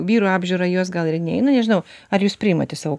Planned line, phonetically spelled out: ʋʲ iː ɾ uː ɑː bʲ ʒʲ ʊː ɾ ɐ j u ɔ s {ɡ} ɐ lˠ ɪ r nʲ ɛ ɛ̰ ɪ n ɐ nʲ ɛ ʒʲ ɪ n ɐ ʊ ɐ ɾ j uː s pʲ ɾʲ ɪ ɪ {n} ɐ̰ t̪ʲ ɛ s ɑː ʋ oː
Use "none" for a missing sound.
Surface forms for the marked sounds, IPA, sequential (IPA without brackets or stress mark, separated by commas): ɡ, m